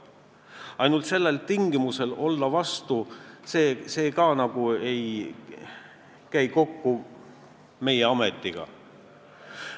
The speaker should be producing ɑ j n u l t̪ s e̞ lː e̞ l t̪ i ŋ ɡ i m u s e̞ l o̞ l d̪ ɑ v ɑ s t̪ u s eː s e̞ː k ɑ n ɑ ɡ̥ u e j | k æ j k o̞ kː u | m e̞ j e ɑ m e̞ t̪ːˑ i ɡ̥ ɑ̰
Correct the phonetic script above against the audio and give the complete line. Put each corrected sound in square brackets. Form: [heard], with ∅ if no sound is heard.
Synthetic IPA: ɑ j n u l t̪ s e̞ lː e̞ l t̪ i ŋ ɡ i m u s e̞ l o̞ l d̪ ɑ v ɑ s t̪ u s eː s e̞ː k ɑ n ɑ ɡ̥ u e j | k æ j k o̞ kː u | m e̞ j e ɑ m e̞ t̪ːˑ i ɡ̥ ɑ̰